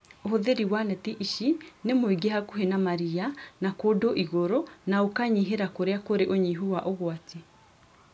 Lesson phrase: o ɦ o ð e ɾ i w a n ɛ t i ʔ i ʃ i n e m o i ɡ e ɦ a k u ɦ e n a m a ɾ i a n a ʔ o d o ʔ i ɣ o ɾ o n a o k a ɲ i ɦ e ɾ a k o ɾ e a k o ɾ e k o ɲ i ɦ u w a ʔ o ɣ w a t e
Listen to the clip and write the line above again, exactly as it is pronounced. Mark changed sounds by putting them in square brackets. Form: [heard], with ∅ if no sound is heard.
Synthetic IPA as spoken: o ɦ o ð e ɾ i w a n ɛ t i ʔ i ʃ i n e m o i ɡ e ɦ a k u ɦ e n a m a ɾ i a n a [k] o d o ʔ i ɣ o ɾ o n a o k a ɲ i ɦ e ɾ a k o ɾ e a k o ɾ e [ʔ] o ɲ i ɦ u w a ʔ o ɣ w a t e